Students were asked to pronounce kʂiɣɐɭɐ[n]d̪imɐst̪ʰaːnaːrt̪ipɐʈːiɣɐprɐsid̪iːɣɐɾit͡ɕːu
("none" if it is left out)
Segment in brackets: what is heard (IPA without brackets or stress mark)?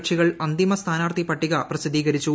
n